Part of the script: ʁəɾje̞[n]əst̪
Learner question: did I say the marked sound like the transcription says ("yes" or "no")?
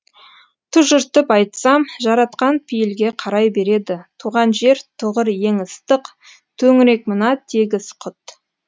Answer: no